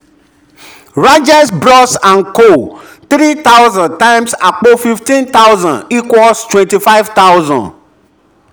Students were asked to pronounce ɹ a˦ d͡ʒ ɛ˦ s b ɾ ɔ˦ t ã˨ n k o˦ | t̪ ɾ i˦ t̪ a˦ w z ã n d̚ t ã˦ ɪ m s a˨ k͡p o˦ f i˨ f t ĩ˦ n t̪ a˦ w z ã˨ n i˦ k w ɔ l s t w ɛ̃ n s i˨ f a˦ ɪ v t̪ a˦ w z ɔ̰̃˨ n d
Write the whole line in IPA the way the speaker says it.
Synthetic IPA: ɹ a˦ d͡ʒ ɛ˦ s b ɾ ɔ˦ s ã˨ n k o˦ | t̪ ɾ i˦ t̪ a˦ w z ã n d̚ t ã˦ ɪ m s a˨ k͡p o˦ f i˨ f t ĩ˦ n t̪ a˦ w z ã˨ n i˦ k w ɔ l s t w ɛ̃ n t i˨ f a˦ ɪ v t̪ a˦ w z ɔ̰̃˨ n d